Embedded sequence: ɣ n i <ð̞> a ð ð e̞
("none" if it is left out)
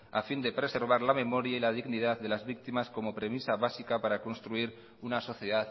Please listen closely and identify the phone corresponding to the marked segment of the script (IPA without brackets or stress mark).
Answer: ð̞